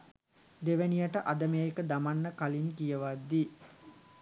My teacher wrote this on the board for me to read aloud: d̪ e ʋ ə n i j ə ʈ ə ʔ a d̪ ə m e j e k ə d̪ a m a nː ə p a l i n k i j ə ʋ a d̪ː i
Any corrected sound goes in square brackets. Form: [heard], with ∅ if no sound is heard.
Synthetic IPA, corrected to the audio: d̪ e ʋ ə n i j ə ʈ ə ʔ a d̪ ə m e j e k ə d̪ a m a nː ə [k] a l i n k i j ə ʋ a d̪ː i